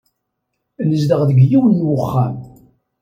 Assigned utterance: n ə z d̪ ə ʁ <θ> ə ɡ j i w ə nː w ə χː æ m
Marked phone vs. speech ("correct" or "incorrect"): incorrect